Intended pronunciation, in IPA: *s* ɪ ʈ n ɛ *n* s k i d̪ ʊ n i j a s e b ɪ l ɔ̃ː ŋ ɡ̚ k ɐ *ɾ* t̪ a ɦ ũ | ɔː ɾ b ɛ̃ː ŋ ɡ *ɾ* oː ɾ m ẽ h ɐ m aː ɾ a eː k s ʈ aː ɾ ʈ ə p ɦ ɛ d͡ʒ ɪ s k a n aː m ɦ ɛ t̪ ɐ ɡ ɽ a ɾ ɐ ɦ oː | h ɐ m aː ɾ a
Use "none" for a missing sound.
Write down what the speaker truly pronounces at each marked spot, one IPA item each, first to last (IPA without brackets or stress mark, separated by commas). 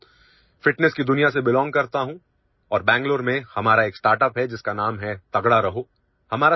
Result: f, none, ɾ, l